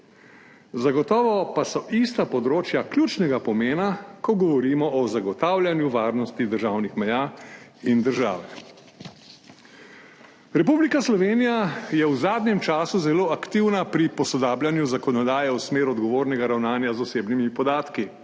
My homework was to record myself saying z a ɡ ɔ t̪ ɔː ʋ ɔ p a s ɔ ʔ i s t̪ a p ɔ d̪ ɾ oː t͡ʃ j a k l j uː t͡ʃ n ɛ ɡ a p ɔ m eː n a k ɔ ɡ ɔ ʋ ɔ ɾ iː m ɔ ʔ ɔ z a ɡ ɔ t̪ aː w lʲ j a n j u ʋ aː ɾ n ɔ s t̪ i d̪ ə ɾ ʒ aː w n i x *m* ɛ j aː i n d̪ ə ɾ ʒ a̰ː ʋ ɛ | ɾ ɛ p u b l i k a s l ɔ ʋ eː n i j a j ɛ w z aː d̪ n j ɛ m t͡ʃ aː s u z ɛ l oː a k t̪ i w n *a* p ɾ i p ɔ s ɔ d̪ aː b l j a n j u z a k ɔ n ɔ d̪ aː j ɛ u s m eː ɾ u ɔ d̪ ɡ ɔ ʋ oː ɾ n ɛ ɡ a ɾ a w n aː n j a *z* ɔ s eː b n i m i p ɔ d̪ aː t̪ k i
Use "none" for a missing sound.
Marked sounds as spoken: m, a, z

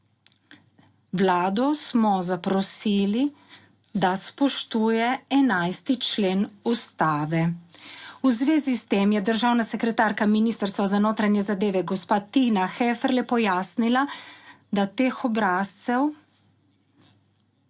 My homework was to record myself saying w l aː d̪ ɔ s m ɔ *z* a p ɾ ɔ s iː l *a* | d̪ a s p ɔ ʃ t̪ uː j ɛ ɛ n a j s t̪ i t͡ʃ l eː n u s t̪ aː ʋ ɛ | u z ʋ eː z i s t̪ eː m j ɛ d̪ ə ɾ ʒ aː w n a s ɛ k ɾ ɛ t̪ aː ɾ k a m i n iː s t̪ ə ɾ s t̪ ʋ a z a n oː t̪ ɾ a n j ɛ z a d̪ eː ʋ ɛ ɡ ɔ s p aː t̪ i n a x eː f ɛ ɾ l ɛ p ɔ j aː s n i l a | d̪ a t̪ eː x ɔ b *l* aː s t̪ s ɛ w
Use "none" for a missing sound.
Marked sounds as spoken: z, i, ɾ

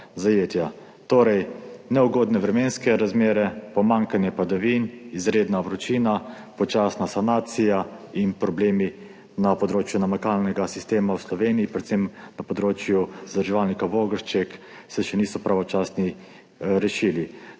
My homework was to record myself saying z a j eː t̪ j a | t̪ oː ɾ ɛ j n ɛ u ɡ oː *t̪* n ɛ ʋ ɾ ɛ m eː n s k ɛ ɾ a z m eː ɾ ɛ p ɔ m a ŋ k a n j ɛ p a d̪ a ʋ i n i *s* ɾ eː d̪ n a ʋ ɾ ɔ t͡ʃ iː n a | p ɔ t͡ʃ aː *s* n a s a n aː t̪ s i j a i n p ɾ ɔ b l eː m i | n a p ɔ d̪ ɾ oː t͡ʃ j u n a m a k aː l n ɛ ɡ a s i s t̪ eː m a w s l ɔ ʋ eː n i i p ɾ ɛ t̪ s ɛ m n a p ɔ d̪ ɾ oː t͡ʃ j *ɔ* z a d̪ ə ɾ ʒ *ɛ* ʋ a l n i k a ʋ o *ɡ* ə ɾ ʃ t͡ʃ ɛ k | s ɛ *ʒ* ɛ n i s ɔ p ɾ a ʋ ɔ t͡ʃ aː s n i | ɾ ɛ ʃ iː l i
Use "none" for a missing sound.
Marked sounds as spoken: d̪, z, s, u, ɛ, ɡ, ʃ

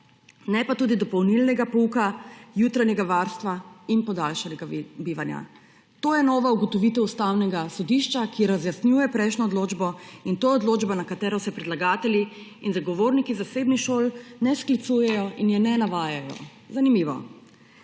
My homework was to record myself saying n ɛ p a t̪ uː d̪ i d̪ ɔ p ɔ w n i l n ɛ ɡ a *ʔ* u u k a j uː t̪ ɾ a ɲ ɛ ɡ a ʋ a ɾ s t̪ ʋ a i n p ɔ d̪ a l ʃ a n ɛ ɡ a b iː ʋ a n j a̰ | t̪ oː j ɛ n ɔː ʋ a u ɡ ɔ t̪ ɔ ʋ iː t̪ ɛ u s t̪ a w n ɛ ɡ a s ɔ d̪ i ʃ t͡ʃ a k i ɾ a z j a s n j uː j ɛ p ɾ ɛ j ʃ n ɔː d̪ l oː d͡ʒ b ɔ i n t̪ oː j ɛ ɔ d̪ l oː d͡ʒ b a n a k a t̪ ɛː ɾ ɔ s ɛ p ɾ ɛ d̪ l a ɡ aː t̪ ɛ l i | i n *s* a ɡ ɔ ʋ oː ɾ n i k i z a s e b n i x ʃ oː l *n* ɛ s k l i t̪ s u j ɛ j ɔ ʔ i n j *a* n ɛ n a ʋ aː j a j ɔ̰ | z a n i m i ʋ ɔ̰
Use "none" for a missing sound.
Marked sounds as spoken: p, z, n, ɛ

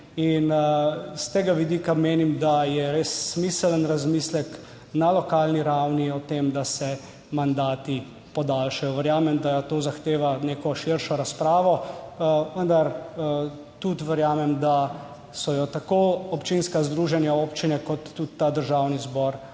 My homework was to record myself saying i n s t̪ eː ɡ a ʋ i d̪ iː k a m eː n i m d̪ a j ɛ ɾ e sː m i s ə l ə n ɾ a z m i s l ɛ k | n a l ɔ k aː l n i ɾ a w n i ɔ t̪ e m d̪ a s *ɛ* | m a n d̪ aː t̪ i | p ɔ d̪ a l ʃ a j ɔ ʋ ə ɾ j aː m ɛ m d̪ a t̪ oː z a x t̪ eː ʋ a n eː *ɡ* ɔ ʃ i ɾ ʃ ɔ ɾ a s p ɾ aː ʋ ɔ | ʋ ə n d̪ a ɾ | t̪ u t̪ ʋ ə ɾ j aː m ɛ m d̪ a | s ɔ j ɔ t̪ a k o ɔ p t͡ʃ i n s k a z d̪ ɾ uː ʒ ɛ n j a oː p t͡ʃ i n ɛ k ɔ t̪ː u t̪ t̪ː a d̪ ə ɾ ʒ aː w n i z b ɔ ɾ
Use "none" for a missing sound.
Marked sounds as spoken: ɛ, k

